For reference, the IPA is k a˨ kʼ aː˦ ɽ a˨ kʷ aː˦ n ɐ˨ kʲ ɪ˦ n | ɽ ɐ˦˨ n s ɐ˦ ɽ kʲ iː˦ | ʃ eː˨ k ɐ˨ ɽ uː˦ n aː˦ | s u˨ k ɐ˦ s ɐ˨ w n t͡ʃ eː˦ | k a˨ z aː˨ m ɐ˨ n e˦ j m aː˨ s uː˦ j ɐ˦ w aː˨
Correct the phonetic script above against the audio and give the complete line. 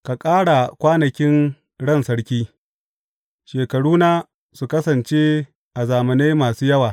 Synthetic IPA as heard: k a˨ kʼ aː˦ ɽ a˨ kʷ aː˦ n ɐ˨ kʲ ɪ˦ n | ɽ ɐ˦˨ n s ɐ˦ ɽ kʲ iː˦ | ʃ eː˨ k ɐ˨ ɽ uː˦ n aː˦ | s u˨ k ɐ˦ s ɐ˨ n t͡ʃ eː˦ | ʔ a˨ z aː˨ m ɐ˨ n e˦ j m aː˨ s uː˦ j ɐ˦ w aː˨